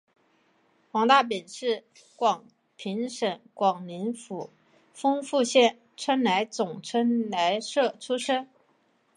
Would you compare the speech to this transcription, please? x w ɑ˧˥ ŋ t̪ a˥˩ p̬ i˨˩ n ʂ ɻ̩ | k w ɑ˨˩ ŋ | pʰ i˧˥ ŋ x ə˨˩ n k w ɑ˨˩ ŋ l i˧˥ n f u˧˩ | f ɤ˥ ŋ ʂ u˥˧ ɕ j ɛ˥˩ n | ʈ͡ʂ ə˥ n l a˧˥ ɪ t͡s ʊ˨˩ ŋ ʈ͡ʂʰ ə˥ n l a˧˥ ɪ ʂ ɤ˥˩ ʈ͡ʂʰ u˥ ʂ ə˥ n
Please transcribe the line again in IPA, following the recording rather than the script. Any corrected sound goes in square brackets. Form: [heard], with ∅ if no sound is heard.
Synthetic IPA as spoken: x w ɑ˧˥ ŋ t̪ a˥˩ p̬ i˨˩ n ʂ ɻ̩ | k w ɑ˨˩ ŋ | pʰ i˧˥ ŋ [ʂ] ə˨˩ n k w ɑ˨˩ ŋ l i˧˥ n f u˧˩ | f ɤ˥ ŋ [f] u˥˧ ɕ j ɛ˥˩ n | [ʈ͡ʂʰ] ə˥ n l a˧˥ ɪ t͡s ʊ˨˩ ŋ ʈ͡ʂʰ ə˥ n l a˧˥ ɪ ʂ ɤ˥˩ ʈ͡ʂʰ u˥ ʂ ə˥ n

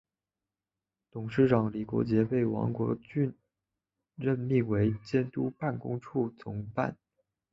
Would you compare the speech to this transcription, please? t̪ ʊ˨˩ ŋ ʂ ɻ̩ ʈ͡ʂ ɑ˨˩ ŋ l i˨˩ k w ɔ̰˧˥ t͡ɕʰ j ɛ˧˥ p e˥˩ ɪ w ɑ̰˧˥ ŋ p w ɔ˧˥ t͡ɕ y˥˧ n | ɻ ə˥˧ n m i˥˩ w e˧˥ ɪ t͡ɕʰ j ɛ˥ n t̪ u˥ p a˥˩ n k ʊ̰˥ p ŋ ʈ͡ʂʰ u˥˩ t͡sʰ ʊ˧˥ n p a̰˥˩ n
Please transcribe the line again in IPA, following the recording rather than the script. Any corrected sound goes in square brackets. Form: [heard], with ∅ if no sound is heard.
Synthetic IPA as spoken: t̪ ʊ˨˩ ŋ ʂ ɻ̩ ʈ͡ʂ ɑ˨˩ ŋ l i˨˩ k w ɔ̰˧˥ [t͡ɕ] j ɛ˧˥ p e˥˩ ɪ w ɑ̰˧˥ ŋ [k] w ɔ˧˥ t͡ɕ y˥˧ n | ɻ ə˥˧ n m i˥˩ w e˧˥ ɪ [t͡ɕ] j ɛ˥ n t̪ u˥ p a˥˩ n k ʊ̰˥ [∅] ŋ ʈ͡ʂʰ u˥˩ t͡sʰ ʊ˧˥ [ŋ] p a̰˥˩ n

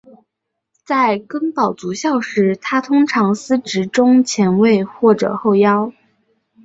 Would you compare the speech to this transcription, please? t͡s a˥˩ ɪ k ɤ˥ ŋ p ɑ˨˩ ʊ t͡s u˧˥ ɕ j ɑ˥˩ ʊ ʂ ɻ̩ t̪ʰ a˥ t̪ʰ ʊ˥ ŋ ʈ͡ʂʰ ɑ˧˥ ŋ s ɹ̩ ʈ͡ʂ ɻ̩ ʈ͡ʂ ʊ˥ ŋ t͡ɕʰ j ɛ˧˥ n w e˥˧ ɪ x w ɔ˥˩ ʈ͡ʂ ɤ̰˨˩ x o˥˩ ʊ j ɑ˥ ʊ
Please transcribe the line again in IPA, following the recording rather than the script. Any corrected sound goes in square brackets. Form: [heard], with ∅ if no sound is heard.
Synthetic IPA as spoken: t͡s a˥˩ ɪ k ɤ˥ ŋ p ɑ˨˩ ʊ t͡s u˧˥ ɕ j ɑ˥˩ ʊ ʂ ɻ̩ t̪ʰ a˥ t̪ʰ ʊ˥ ŋ ʈ͡ʂʰ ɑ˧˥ ŋ s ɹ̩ ʈ͡ʂ ɻ̩ ʈ͡ʂ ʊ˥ ŋ t͡ɕʰ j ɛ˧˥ n w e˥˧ ɪ x w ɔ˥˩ ʈ͡ʂ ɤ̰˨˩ x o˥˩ ʊ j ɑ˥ ʊ

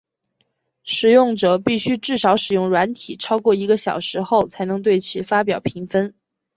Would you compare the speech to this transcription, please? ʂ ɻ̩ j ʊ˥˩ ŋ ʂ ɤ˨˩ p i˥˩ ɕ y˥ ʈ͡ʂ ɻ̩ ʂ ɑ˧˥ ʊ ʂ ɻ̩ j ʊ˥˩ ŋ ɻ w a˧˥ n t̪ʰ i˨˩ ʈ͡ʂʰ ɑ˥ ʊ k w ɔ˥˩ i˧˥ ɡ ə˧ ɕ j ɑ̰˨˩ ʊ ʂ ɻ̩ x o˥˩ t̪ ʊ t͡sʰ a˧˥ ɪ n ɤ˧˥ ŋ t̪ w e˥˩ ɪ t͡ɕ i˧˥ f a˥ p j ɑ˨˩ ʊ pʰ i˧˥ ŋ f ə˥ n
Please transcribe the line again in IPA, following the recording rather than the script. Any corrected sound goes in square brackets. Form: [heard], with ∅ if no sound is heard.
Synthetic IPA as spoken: ʂ ɻ̩ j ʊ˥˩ ŋ [ʈ͡ʂ] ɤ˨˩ p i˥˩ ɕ y˥ ʈ͡ʂ ɻ̩ ʂ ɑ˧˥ ʊ ʂ ɻ̩ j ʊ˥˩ ŋ ɻ w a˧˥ n t̪ʰ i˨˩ ʈ͡ʂʰ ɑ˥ ʊ k w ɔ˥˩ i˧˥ ɡ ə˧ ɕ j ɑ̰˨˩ ʊ ʂ ɻ̩ x o˥˩ [∅] ʊ t͡sʰ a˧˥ ɪ n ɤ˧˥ ŋ t̪ w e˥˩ ɪ [t͡ɕʰ] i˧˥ f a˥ p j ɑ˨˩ ʊ pʰ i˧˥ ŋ f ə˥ n

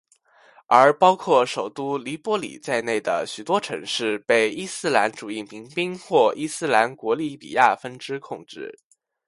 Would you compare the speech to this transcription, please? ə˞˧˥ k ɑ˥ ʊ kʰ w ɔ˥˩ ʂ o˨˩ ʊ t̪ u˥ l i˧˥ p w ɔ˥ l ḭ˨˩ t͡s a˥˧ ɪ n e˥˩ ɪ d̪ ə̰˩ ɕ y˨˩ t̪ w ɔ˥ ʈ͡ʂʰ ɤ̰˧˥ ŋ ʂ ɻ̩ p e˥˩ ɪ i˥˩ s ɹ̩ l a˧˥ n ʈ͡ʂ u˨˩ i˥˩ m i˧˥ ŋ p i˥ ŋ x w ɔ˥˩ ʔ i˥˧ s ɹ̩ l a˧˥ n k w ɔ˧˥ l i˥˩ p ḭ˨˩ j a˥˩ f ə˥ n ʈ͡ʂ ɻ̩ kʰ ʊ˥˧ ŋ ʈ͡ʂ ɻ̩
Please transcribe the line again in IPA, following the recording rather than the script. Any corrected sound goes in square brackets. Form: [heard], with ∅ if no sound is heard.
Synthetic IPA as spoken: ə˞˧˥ [p] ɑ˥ ʊ kʰ w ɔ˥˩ ʂ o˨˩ ʊ t̪ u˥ l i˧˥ p w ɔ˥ l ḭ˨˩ t͡s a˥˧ ɪ n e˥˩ ɪ d̪ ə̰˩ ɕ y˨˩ t̪ w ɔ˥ ʈ͡ʂʰ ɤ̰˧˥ ŋ ʂ ɻ̩ p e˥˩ ɪ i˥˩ s ɹ̩ l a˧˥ n ʈ͡ʂ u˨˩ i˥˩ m i˧˥ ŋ p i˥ ŋ x w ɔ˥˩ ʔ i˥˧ s ɹ̩ l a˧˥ n k w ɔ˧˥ l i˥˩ p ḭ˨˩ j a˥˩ f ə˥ n ʈ͡ʂ ɻ̩ kʰ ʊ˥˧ ŋ ʈ͡ʂ ɻ̩

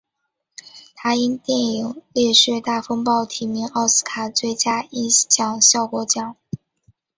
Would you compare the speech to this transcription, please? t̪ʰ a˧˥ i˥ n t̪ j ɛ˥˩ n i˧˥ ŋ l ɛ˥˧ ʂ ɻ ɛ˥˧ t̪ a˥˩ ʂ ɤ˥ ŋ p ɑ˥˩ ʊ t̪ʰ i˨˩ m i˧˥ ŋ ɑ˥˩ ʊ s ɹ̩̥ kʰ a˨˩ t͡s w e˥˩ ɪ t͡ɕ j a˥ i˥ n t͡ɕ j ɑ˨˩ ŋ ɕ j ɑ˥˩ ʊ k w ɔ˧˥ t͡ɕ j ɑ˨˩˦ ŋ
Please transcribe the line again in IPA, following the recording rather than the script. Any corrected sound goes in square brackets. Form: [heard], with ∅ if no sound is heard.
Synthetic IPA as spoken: t̪ʰ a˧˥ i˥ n t̪ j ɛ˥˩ n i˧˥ ŋ l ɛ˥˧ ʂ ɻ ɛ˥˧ t̪ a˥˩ [f] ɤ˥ ŋ p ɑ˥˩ ʊ t̪ʰ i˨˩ m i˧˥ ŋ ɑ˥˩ ʊ s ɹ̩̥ kʰ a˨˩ t͡s w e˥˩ ɪ t͡ɕ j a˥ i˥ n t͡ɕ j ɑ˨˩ ŋ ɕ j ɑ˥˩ ʊ k w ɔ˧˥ t͡ɕ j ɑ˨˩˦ ŋ

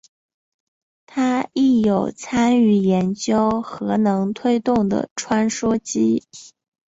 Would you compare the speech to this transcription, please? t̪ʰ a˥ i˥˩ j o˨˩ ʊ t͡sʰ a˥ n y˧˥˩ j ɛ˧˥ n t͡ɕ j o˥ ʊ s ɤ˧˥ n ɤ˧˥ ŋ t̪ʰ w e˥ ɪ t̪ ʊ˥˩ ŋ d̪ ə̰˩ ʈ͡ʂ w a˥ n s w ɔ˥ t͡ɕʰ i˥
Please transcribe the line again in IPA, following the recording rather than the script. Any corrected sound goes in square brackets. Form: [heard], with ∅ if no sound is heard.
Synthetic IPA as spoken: t̪ʰ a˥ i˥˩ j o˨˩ ʊ t͡sʰ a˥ n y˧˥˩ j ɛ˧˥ n t͡ɕ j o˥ ʊ [x] ɤ˧˥ n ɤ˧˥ ŋ t̪ʰ w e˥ ɪ t̪ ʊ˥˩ ŋ d̪ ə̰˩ [ʈ͡ʂʰ] w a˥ n [ʂ] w ɔ˥ [t͡ɕ] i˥

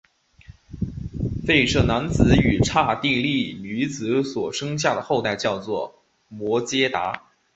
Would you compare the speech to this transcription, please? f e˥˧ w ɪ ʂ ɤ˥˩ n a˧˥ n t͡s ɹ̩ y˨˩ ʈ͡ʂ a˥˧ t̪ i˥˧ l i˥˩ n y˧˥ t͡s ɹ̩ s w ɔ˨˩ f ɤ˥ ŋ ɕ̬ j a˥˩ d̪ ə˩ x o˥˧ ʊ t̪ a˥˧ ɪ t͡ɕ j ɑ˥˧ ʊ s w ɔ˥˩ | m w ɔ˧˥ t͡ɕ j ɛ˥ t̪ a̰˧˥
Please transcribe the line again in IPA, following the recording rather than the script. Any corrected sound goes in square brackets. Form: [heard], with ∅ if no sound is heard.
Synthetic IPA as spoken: f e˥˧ [∅] ɪ ʂ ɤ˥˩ n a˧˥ n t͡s ɹ̩ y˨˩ [ʈ͡ʂʰ] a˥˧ t̪ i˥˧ l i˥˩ n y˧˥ t͡s ɹ̩ s w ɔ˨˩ [ʂ] ɤ˥ ŋ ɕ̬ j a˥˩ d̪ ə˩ x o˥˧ ʊ t̪ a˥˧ ɪ t͡ɕ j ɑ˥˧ ʊ [t͡s] w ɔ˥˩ | m w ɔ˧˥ t͡ɕ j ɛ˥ t̪ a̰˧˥

